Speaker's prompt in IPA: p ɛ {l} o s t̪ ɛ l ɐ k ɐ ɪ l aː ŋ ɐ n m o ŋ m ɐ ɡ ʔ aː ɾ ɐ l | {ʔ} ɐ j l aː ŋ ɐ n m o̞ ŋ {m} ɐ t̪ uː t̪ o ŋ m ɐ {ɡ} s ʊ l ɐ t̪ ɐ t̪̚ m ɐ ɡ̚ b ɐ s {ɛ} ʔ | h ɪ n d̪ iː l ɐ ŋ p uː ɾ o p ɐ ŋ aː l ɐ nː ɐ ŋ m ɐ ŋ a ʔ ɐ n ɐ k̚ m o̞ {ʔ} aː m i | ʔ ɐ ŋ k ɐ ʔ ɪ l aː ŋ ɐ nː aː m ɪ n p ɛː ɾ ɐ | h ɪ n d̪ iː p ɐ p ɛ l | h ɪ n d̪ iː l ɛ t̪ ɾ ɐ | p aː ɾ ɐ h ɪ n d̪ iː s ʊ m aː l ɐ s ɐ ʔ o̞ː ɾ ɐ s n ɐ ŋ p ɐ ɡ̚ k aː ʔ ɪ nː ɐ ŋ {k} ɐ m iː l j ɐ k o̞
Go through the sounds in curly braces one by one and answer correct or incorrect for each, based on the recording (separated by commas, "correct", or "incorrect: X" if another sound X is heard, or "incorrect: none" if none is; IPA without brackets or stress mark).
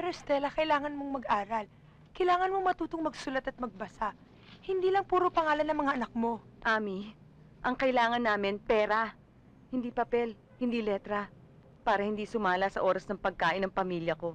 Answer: incorrect: ɾ, incorrect: k, correct, correct, incorrect: a, correct, incorrect: p